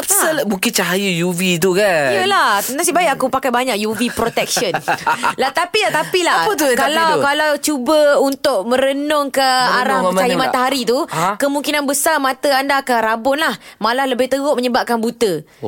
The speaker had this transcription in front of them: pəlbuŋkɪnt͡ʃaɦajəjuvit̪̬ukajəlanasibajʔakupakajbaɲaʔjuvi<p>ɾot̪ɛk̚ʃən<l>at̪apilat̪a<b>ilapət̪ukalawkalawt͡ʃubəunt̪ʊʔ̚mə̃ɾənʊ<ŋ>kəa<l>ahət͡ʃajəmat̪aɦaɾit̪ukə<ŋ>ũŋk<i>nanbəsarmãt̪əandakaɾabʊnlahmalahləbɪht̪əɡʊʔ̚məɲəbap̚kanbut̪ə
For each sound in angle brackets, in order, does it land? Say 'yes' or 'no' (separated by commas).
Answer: yes, yes, no, yes, no, no, yes